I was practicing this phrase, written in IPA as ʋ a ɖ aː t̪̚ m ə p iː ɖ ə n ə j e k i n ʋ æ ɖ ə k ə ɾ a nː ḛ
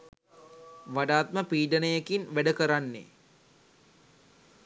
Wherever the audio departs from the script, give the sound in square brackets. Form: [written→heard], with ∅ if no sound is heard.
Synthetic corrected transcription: ʋ a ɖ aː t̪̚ m ə p iː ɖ ə n ə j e k i n ʋ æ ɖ ə k ə ɾ a nː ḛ